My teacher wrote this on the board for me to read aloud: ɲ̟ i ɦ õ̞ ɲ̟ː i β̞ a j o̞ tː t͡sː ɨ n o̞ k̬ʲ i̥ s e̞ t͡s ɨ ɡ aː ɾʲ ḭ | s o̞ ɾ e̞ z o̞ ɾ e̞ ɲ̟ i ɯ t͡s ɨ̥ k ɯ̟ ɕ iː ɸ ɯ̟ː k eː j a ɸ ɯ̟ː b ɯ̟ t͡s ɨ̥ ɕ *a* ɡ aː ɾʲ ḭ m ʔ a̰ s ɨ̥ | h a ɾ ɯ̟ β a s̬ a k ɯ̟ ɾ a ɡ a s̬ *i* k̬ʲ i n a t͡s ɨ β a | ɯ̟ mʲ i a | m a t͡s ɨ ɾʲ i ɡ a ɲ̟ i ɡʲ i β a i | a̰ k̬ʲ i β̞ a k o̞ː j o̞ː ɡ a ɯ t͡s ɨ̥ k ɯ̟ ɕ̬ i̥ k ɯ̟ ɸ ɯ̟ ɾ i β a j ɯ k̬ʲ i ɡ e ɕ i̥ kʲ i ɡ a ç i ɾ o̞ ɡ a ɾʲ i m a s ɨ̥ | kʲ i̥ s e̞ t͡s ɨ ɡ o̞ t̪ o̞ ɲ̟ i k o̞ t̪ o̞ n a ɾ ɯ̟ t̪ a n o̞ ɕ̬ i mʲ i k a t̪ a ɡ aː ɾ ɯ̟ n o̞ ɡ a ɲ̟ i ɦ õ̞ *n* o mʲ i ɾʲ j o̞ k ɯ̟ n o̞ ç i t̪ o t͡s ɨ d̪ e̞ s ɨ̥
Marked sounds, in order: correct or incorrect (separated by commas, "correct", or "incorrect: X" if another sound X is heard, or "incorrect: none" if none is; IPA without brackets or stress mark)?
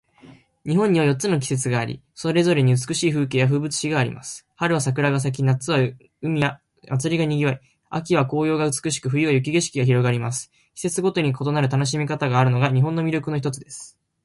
incorrect: i, incorrect: a, incorrect: nː